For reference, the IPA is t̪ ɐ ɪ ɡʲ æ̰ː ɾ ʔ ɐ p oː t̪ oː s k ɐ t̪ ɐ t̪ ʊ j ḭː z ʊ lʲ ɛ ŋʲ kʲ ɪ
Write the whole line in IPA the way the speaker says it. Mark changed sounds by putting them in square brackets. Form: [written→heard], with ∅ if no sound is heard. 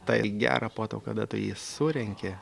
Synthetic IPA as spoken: t̪ ɐ ɪ ɡʲ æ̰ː ɾ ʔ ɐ p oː t̪ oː [s→∅] k ɐ [t̪→d̪] ɐ t̪ ʊ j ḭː [z→s] ʊ [lʲ→ɾʲ] ɛ ŋʲ kʲ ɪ